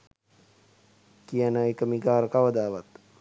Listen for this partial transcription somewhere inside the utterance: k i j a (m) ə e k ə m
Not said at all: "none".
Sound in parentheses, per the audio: n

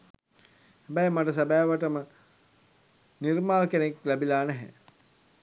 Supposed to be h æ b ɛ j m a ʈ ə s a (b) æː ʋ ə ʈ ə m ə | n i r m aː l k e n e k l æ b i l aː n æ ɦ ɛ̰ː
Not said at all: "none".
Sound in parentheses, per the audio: b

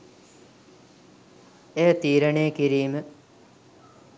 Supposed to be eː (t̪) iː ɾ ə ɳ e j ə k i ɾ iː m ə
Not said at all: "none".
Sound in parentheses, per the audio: t̪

